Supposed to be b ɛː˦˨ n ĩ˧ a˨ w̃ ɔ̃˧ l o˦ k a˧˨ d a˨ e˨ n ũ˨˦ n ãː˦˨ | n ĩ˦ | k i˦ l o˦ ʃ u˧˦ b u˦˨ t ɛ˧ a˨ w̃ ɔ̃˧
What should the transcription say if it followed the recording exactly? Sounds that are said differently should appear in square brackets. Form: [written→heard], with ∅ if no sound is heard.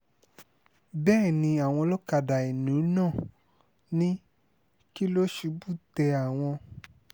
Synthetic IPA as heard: b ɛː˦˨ n ĩ˧ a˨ w̃ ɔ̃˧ l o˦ k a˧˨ d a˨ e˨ n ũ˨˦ n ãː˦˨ | n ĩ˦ | k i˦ l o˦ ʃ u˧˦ b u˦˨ t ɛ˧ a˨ w̃ ɔ̃˧